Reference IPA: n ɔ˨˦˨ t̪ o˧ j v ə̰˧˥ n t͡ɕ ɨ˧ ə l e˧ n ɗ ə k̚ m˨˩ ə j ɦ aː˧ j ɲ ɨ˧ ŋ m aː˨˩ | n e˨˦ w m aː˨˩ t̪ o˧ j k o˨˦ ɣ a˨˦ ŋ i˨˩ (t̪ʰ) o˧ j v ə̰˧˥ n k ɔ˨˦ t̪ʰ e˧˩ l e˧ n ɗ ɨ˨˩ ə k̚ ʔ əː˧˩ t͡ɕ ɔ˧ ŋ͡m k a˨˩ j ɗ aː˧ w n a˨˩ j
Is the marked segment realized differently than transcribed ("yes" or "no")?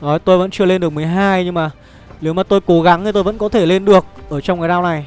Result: yes